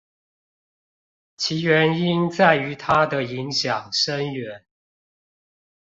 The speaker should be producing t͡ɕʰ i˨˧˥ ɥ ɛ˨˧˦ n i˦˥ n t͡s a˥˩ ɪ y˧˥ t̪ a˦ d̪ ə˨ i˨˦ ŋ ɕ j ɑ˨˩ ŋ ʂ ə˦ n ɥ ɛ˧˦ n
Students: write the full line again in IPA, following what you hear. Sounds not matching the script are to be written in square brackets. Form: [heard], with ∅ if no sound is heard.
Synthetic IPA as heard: t͡ɕʰ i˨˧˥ ɥ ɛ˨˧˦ n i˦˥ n t͡s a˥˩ ɪ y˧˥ [t̪ʰ] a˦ d̪ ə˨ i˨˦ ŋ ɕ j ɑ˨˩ ŋ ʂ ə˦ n ɥ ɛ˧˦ n